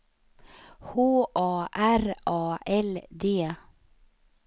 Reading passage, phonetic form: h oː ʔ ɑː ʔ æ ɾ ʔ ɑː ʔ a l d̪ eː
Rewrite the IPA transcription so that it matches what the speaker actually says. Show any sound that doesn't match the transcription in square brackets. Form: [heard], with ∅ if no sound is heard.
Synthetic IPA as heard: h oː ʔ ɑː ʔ æ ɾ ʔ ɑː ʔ [ɛ] l d̪ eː